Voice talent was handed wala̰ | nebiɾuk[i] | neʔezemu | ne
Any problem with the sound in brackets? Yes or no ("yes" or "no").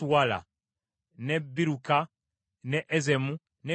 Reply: yes